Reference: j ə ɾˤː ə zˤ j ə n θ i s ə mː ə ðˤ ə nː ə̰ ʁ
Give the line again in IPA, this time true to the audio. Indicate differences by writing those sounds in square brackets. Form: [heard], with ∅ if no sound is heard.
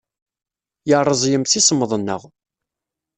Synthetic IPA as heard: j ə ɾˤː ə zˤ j ə [m] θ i s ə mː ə ðˤ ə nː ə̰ ʁ